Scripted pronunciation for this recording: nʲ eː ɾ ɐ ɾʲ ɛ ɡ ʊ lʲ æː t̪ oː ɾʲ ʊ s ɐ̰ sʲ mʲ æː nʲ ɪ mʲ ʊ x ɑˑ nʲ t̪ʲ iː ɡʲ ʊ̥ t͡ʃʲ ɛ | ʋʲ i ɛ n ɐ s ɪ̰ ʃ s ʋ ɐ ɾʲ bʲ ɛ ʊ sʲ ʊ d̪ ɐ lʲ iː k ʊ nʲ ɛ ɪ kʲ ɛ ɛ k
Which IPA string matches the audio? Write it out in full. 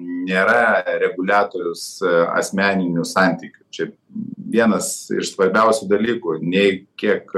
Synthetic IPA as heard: nʲ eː ɾ ɐ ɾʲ ɛ ɡ ʊ lʲ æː t̪ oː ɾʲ ʊ s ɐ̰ sʲ mʲ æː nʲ ɪ nʲ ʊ s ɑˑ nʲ t̪ʲ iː kʲ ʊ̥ t͡ʃʲ ɛ | ʋʲ i ɛ n ɐ s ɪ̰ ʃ s ʋ ɐ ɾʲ bʲ ɛ ʊ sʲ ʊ d̪ ɐ lʲ iː k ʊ nʲ ɛ ɪ kʲ i ɛ k